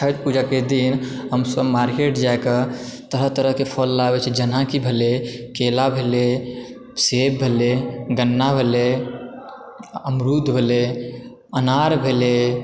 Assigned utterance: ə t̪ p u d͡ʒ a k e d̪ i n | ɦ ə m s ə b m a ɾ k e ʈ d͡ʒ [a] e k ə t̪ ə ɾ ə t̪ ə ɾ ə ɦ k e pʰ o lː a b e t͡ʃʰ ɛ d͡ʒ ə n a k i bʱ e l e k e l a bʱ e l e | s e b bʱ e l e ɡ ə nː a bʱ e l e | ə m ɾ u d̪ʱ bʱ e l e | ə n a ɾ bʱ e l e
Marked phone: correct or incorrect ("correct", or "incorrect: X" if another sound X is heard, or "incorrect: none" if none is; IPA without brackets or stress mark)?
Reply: correct